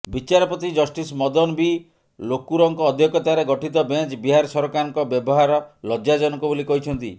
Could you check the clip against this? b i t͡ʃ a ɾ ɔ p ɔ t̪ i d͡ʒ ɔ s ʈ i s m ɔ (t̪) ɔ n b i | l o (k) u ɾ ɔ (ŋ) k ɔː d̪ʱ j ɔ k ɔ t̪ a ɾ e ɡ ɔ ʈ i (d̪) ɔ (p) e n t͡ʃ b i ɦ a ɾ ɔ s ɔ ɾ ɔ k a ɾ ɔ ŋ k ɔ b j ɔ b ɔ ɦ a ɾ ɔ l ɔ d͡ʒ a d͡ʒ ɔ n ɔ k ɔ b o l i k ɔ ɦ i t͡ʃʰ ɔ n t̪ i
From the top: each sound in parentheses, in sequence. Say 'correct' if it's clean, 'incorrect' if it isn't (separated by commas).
incorrect, correct, correct, incorrect, incorrect